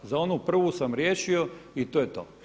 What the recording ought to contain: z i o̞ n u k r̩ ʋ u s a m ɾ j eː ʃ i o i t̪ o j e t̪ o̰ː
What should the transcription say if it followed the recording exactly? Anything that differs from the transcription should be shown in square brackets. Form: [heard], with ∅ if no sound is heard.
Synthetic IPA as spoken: z [a] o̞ n u [p] r̩ ʋ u s a m ɾ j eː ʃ i o i t̪ o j e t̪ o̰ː